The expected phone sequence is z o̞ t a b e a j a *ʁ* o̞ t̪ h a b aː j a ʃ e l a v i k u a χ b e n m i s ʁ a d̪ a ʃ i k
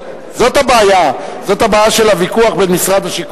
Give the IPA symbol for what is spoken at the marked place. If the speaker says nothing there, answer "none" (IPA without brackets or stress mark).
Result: z